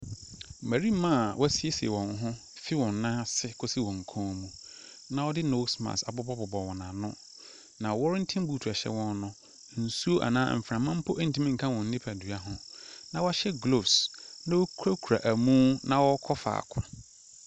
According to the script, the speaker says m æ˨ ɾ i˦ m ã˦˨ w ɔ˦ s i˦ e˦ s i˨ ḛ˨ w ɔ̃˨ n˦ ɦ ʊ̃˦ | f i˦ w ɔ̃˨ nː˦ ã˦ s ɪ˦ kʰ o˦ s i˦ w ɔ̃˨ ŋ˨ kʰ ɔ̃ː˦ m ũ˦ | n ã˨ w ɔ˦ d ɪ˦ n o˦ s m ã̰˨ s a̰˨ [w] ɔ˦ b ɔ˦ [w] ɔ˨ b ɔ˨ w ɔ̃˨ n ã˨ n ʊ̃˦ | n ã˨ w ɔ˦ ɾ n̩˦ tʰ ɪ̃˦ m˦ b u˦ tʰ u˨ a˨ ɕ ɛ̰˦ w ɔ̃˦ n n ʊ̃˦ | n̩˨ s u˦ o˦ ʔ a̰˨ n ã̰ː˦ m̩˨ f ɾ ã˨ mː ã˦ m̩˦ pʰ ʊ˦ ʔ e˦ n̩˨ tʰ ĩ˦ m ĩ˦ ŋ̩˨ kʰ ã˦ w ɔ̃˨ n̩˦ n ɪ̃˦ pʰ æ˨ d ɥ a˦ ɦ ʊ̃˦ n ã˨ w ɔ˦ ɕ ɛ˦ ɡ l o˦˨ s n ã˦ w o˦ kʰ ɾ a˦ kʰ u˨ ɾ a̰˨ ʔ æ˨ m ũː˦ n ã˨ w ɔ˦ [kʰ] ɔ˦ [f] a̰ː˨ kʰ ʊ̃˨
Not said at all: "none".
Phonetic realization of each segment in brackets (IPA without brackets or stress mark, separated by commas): b, b, kʰ, f